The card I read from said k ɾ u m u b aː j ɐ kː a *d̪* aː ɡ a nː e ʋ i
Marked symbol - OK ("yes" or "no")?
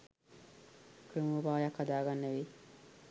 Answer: yes